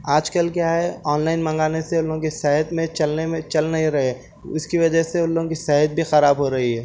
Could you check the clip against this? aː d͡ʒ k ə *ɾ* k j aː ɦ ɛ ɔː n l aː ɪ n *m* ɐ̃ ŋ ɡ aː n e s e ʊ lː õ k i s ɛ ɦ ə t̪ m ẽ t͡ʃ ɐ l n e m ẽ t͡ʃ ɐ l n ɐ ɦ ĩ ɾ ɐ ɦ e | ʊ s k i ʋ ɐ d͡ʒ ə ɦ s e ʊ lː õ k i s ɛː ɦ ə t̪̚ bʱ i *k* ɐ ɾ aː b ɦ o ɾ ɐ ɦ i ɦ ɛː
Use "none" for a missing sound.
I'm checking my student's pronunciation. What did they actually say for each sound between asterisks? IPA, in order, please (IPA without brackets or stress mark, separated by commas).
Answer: l, m, x